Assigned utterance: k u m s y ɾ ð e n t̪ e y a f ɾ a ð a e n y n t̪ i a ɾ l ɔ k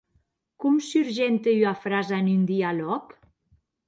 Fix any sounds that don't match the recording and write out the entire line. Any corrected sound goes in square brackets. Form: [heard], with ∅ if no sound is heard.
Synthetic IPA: k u m s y ɾ [ʒ] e n t̪ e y a f ɾ a [z] a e n y n [d̪] i a [∅] l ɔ k